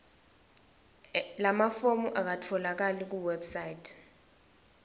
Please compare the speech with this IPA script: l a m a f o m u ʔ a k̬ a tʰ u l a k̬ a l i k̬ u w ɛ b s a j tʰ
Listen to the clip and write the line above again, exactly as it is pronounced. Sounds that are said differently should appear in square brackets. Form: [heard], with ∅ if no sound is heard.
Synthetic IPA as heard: l a m a f o m u ʔ a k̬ a tʰ [ɔ] l a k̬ a l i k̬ u w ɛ b s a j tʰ